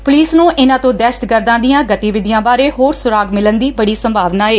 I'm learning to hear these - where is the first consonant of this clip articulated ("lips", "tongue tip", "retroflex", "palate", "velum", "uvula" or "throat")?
lips